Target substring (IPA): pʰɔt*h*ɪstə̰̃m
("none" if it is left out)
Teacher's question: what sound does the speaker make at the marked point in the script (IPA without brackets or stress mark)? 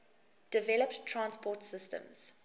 s